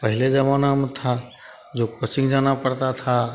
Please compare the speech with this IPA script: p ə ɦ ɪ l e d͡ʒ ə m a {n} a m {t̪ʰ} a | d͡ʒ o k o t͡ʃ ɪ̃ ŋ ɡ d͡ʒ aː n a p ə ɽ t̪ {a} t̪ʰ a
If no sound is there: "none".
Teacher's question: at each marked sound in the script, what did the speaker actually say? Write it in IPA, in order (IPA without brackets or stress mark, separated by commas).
n, t̪ʰ, a